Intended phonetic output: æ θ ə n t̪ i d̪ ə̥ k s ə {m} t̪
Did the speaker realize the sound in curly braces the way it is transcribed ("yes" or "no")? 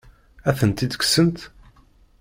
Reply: no